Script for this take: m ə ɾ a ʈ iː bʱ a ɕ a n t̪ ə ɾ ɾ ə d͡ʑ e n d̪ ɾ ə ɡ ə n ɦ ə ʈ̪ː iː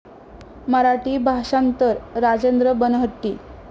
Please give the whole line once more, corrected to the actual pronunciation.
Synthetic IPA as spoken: m ə ɾ a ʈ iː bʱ a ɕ a n t̪ ə ɾ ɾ a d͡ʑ e n d̪ ɾ ə b ə n ɦ ə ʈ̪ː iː